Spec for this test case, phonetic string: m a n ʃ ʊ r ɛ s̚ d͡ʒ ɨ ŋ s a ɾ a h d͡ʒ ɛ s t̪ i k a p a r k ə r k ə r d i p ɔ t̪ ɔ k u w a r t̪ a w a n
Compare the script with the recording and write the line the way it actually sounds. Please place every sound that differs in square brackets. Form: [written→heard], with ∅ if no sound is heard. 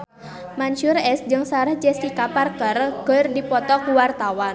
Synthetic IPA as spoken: m a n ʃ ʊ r ɛ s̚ d͡ʒ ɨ ŋ s a ɾ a h d͡ʒ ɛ s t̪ i k a p a r k ə r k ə r d i p ɔ t̪ ɔ k u w a r t̪ a w a n

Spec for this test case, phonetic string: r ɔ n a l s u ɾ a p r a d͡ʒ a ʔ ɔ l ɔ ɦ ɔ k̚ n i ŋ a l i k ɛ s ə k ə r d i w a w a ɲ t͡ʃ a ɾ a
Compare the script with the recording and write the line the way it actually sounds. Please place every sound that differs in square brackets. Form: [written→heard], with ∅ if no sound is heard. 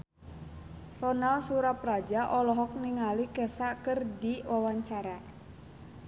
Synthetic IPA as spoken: r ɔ n a l s u ɾ a p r a d͡ʒ a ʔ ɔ l ɔ ɦ ɔ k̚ n i ŋ a l i k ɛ s [ə→a] k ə r d i w a w a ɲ t͡ʃ a ɾ a

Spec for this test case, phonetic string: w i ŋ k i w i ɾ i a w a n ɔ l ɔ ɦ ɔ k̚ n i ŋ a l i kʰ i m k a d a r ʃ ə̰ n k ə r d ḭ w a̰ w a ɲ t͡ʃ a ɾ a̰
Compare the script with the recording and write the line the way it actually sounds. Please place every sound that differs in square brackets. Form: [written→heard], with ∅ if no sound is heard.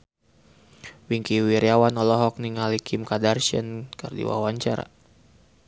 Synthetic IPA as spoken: w i ŋ k i w i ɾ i a w a n ɔ l ɔ ɦ ɔ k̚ n i ŋ a l i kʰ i m k a d a r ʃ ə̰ n k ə r d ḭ w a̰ w a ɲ t͡ʃ a ɾ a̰

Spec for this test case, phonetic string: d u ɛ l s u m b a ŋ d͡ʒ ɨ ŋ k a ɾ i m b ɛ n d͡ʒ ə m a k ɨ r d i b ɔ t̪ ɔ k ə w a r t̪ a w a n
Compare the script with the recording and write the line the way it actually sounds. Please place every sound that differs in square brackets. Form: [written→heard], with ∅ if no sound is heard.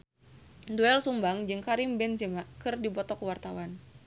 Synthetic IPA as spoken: d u ɛ l s u m b a ŋ d͡ʒ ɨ ŋ k a ɾ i m b ɛ n d͡ʒ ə m a k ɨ r d i b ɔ t̪ ɔ k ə w a r t̪ a w a n

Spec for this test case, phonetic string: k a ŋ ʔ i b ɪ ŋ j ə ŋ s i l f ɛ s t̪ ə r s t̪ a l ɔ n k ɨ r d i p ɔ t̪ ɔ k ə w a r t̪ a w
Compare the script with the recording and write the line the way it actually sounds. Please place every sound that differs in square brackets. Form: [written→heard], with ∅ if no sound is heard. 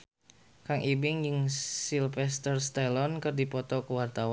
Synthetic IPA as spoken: k a ŋ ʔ i b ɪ ŋ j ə ŋ s i l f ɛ s t̪ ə r s t̪ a l ɔ n k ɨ r d i p ɔ t̪ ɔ k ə w a r t̪ a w

